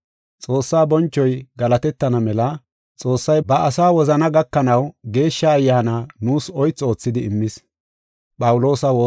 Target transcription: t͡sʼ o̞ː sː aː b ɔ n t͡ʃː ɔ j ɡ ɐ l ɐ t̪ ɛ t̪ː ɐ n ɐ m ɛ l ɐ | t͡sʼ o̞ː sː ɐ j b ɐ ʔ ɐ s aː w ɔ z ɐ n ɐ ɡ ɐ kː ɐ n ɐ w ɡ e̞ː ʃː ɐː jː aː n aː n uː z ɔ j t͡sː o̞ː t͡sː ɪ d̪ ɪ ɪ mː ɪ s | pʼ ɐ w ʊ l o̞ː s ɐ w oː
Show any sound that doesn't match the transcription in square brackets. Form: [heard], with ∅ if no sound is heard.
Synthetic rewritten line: t͡sʼ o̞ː sː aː b ɔ n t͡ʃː ɔ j ɡ ɐ l ɐ t̪ ɛ t̪ː ɐ n ɐ m ɛ l ɐ | t͡sʼ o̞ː sː ɐ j b ɐ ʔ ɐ s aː w ɔ z ɐ n ɐ ɡ ɐ kː ɐ n ɐ w ɡ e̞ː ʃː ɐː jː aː n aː n uː [s] ɔ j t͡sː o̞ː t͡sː ɪ d̪ ɪ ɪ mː ɪ s | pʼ ɐ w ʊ l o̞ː s ɐ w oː